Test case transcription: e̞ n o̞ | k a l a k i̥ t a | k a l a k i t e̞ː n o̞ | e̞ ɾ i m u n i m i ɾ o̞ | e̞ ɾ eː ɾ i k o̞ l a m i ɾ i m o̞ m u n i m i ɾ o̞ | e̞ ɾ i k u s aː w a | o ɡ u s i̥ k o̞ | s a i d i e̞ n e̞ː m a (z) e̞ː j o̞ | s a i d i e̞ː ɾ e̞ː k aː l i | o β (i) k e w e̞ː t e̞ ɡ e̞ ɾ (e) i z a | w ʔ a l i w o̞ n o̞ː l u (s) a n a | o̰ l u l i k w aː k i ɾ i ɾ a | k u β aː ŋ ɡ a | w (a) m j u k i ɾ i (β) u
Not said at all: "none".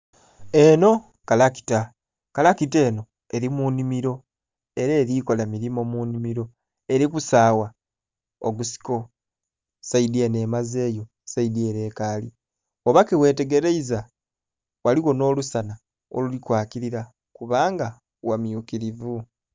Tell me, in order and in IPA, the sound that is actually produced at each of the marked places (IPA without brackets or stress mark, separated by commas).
z, a, e, s, a, v